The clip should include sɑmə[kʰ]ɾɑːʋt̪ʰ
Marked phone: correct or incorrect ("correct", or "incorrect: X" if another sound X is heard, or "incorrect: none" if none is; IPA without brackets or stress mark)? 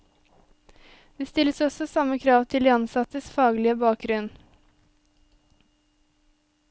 correct